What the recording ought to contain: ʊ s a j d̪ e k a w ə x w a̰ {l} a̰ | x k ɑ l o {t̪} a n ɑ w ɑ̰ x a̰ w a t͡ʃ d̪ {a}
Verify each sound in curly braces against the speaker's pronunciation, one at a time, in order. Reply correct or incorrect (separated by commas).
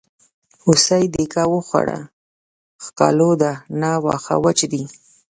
incorrect, incorrect, incorrect